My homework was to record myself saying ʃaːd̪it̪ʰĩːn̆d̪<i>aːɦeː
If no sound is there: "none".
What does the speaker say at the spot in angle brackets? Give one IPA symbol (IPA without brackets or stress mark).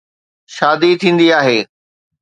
i